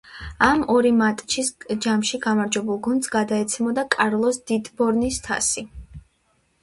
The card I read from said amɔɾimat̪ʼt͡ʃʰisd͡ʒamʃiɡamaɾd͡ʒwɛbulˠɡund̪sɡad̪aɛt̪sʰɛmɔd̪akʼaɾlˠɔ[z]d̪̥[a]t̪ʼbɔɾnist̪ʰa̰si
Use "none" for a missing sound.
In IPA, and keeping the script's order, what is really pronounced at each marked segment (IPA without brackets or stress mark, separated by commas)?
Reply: s, i